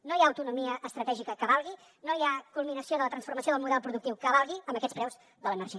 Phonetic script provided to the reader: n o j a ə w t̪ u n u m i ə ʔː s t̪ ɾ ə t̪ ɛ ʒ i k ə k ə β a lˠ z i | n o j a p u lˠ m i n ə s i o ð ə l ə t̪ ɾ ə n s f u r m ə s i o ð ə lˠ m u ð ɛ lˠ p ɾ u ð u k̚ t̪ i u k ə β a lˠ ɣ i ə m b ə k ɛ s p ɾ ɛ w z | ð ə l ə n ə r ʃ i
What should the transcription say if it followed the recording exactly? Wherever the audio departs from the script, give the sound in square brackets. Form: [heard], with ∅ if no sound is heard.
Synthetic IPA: n o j a ə w t̪ u n u m i ə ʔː s t̪ ɾ ə t̪ ɛ ʒ i k ə k ə β a lˠ [ɣ] i | n o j a [k] u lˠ m i n ə s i o ð ə l ə t̪ ɾ ə n s f u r m ə s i o ð ə lˠ m u ð ɛ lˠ p ɾ u ð u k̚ t̪ i [w] k ə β a lˠ ɣ i ə m b ə k ɛ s p ɾ ɛ w z | ð ə l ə n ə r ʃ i